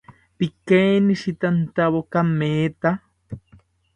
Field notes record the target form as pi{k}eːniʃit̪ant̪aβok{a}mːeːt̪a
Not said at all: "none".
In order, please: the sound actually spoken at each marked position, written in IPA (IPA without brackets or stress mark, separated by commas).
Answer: k, a